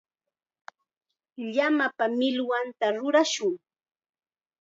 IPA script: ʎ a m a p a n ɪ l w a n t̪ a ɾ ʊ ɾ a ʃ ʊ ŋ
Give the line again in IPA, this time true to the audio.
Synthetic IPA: ʎ a m a p a m ɪ l w a n t̪ a ɾ ʊ ɾ a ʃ ʊ ŋ